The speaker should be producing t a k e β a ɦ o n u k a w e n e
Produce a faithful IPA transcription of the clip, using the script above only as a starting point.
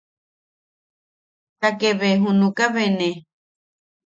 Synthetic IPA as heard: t a k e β e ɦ u n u k a β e n e